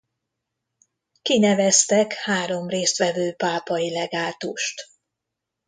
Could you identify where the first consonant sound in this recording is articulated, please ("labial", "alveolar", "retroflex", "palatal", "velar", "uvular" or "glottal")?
velar